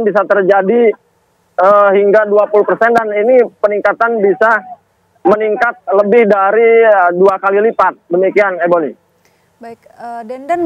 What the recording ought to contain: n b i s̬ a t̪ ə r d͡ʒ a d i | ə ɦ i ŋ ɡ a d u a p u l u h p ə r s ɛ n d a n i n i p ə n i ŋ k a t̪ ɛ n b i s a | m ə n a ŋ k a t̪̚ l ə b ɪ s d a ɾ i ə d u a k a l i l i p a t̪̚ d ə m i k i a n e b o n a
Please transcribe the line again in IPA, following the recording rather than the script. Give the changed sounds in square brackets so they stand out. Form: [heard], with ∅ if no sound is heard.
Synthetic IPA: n b i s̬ a t̪ ə r d͡ʒ a d i | ə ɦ i ŋ ɡ a d u a p u l u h p ə r s ɛ n d a n i n i p ə n i ŋ k a t̪ [a] n b i s a | m ə n [i] ŋ k a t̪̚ l ə b ɪ [h] d a ɾ i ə d u a k a l i l i p a t̪̚ d ə m i k i a n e b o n [i]